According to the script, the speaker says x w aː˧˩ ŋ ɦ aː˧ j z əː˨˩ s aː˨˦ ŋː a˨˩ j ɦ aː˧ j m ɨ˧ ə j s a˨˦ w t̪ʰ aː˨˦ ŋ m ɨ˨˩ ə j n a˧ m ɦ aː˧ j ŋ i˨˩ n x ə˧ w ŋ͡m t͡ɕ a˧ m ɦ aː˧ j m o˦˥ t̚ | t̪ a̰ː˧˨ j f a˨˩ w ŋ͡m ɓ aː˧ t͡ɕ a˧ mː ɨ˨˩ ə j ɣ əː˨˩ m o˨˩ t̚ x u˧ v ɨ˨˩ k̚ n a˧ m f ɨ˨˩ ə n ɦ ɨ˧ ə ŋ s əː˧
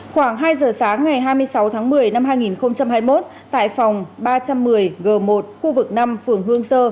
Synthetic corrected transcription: x w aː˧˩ ŋ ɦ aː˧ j z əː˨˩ s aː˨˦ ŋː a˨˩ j ɦ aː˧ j m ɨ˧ ə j s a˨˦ w t̪ʰ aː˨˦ ŋ m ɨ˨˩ ə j n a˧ m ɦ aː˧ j ŋ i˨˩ n x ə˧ w ŋ͡m t͡ɕ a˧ m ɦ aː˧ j m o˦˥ t̚ | t̪ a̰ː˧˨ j f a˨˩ w ŋ͡m ɓ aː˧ t͡ɕ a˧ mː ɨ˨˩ ə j ɣ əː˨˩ m o˨˩ t̚ x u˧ v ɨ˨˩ k̚ n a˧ m f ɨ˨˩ ə ŋ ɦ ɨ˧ ə ŋ s əː˧

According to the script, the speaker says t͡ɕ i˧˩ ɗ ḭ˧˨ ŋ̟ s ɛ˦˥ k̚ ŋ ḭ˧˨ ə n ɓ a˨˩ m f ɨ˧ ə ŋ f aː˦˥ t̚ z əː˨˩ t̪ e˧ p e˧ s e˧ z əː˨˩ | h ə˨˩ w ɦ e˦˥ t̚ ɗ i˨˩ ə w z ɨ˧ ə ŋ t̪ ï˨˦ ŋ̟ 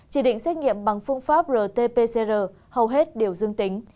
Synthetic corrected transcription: t͡ɕ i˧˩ ɗ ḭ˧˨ ŋ̟ s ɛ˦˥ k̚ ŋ ḭ˧˨ ə m ɓ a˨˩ ŋ f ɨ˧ ə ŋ f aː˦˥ p̚ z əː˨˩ t̪ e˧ p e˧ s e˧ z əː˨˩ | h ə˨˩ w ɦ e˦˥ t̚ ɗ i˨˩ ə w z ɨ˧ ə ŋ t̪ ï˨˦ ŋ̟

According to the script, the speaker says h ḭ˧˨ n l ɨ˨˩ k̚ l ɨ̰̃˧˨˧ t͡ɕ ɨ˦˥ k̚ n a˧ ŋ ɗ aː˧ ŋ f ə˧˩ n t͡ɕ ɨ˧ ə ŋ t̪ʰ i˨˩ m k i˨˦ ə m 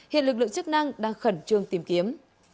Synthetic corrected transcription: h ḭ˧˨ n l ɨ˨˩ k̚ l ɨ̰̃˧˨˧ t͡ɕ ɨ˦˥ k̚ n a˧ ŋ ɗ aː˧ ŋ x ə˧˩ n t͡ɕ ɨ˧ ə ŋ t̪ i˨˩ m k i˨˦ ə m

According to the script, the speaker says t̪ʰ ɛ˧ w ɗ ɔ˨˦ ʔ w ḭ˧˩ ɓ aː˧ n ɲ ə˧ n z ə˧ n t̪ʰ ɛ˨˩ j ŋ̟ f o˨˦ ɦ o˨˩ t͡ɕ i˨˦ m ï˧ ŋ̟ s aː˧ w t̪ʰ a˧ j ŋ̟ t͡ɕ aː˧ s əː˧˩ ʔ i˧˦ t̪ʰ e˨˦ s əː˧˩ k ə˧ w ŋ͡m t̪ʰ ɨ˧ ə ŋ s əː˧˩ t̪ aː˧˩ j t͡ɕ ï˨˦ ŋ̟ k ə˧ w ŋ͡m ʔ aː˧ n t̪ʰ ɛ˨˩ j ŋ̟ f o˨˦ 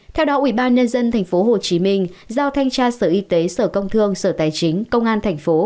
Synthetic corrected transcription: t̪ʰ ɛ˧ w ɗ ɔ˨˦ ʔ w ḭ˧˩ ɓ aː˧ n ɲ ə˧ n z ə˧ n t̪ʰ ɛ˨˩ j ŋ̟ f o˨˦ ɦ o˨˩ t͡ɕ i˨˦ m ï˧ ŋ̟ z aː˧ w t̪ʰ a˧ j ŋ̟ t͡ɕ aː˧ s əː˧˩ ʔ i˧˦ t̪ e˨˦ s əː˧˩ k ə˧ w ŋ͡m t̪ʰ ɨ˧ ə ŋ s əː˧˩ t̪ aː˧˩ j t͡ɕ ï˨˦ ŋ̟ k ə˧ w ŋ͡m ʔ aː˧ n t̪ʰ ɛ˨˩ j ŋ̟ f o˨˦

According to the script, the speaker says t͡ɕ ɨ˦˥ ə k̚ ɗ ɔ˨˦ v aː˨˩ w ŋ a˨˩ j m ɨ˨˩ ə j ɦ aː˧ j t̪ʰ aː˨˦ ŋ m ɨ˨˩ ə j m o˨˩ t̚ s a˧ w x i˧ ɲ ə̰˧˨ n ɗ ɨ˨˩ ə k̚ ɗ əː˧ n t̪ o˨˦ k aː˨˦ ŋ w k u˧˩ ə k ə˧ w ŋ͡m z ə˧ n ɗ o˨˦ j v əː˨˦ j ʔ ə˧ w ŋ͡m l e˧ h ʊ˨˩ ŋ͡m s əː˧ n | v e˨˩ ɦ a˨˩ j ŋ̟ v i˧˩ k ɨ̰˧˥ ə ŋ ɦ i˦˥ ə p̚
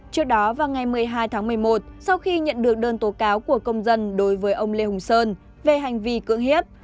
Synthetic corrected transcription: t͡ɕ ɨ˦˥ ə k̚ ɗ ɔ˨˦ v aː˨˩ w ŋ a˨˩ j m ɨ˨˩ ə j ɦ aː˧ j t̪ʰ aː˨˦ ŋ m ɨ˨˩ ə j m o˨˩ t̚ s a˧ w x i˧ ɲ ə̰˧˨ n ɗ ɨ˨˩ ə k̚ ɗ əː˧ n t̪ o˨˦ k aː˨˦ w k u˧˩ ə k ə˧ w ŋ͡m z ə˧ n ɗ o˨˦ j v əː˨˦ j ʔ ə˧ w ŋ͡m l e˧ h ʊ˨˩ ŋ͡m s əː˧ n | v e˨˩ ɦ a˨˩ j ŋ̟ v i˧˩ k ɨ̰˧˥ ə ŋ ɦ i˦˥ ə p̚

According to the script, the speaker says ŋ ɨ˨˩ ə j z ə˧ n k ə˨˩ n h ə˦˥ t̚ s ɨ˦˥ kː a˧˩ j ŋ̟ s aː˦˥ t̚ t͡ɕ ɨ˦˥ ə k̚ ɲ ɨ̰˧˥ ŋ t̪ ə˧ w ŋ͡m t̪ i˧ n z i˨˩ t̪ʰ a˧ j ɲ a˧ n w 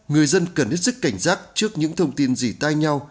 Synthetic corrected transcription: ŋ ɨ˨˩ ə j z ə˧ n k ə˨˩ n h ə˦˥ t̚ s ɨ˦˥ kː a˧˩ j ŋ̟ z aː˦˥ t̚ t͡ɕ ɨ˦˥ ə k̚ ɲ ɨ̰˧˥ ŋ t̪ʰ ə˧ w ŋ͡m t̪ i˧ n z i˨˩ t̪ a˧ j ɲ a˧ w

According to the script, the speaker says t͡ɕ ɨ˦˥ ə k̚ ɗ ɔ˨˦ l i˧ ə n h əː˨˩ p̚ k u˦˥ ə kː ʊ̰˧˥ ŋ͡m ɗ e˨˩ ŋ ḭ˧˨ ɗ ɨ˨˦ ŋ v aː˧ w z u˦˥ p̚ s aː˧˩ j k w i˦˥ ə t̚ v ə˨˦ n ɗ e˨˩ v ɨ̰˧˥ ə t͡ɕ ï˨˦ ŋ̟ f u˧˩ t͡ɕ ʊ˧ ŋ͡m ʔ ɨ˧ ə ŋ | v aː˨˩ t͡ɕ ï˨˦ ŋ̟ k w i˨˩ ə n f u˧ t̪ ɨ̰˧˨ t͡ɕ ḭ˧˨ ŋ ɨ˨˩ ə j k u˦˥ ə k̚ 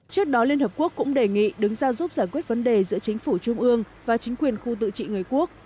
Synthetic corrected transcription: t͡ɕ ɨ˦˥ ə k̚ ɗ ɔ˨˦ l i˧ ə n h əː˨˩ p̚ k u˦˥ ə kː ʊ̰˧˥ ŋ͡m ɗ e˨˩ ŋ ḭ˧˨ ɗ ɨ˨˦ ŋ z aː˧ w z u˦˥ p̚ z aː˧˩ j k w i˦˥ ə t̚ v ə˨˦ n ɗ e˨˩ z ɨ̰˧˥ ə t͡ɕ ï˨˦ ŋ̟ f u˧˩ t͡ɕ ʊ˧ ŋ͡m ʔ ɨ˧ ə ŋ | v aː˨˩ t͡ɕ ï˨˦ ŋ̟ k w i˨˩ ə n x u˧ t̪ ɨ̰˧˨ t͡ɕ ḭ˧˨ ŋ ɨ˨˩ ə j k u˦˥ ə k̚

